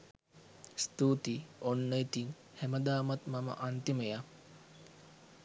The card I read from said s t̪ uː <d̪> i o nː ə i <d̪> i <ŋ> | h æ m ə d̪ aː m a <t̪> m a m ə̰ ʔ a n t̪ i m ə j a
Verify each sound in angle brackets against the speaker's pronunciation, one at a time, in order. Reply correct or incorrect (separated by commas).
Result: incorrect, incorrect, correct, correct